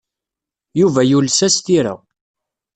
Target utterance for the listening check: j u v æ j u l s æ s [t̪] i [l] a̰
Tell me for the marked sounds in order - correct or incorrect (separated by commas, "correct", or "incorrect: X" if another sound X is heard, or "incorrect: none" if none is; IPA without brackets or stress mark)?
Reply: correct, incorrect: ɾ